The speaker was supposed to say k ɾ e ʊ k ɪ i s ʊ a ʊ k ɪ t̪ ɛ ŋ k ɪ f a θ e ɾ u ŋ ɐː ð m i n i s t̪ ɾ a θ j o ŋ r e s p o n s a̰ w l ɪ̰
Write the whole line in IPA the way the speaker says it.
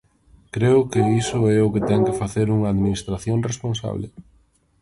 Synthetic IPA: k ɾ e ʊ k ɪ i s ʊ ɛ ʊ k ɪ t̪ ɛ ŋ k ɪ f a θ e ɾ u ŋ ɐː ð m i n i s t̪ ɾ a θ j o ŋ r e s p o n s a̰ β l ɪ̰